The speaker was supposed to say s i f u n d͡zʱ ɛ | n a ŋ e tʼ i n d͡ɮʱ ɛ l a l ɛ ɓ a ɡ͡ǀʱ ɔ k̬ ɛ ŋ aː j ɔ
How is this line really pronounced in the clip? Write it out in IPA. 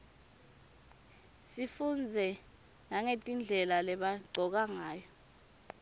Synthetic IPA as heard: s i f u n d͡zʱ ɛ | n a ŋ e tʼ i n d͡ɮʱ ɛ l a l ɛ ɓ a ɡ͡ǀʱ ɔ k̬ a ŋ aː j ɔ